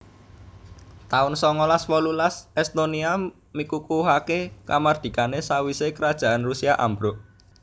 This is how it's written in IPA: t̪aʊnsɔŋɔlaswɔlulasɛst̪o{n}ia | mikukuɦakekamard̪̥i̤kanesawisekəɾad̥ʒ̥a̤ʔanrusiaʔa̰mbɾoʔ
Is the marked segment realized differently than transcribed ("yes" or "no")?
no